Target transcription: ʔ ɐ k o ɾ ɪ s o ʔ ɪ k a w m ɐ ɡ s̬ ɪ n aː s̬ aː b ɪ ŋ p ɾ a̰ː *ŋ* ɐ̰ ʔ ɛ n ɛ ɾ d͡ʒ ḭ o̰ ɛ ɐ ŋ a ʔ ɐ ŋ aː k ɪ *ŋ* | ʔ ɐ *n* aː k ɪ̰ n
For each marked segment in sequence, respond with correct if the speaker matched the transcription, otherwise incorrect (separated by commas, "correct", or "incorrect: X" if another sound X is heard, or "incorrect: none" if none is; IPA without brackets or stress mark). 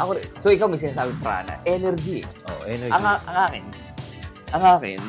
incorrect: n, incorrect: n, incorrect: ŋ